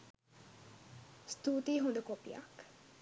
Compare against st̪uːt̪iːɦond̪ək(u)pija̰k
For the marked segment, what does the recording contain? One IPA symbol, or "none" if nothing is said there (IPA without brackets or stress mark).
o